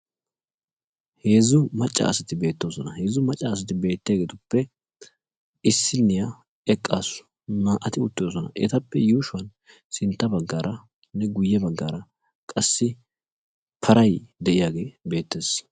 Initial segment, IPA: h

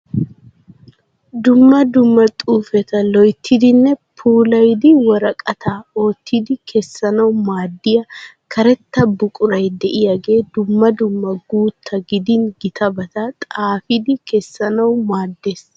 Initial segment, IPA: d̪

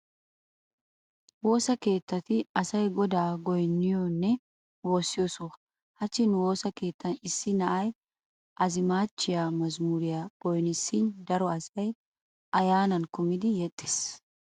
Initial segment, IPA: w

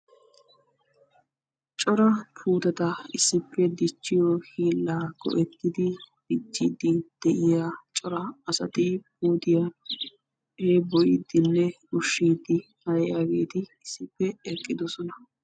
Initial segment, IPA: t͡ʃʼ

